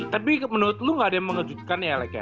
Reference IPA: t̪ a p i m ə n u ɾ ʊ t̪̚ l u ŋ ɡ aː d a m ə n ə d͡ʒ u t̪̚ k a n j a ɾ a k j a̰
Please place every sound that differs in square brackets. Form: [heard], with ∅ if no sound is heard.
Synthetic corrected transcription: t̪ a p i m ə n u ɾ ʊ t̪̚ l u ŋ ɡ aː d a m ə [ŋ] ə d͡ʒ u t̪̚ k a n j a [l] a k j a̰